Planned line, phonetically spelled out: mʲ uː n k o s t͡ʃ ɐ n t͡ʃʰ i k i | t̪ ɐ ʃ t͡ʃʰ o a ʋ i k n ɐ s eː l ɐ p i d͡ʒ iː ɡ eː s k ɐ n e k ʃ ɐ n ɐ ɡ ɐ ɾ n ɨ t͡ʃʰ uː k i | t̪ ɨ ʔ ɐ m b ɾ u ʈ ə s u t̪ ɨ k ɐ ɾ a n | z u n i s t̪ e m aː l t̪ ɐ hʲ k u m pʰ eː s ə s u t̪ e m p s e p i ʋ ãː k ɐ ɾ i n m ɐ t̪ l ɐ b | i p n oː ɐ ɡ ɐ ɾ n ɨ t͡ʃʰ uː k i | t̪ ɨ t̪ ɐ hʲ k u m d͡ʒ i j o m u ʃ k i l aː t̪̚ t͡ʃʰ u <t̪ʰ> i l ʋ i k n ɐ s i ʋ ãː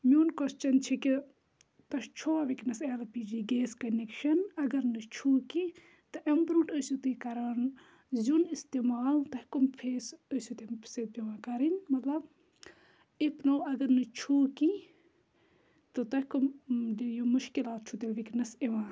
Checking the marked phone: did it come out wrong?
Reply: yes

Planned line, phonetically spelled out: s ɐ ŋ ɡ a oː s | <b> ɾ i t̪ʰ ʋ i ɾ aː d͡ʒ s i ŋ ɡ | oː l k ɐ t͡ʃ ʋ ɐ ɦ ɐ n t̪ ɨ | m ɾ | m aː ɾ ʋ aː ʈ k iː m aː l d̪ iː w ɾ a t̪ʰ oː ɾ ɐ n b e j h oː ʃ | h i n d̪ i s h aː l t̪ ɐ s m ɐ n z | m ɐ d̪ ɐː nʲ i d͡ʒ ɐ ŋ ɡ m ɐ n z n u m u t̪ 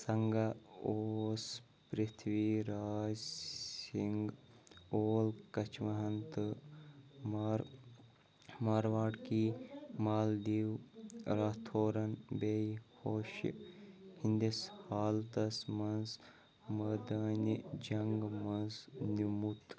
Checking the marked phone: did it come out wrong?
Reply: yes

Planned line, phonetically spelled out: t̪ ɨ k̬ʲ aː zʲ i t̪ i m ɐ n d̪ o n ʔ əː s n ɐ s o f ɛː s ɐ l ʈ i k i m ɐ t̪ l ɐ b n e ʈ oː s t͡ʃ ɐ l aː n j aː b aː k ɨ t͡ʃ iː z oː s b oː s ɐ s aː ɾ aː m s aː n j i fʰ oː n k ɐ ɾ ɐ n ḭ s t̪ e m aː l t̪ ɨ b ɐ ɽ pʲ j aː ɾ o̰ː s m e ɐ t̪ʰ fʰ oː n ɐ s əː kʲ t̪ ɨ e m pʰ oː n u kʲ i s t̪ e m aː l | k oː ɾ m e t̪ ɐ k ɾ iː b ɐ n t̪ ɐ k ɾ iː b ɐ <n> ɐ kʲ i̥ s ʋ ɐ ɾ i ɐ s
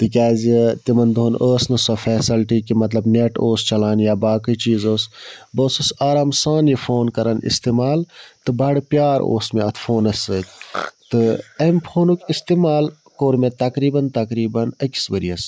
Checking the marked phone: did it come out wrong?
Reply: no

